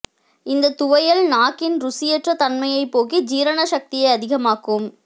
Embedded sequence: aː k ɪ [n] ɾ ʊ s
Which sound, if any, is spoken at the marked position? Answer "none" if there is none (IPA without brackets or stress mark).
n